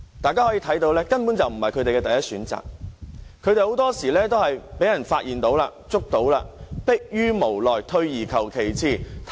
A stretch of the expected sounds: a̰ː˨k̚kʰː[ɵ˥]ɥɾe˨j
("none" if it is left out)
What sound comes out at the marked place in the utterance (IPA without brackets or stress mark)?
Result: ɵ˨˧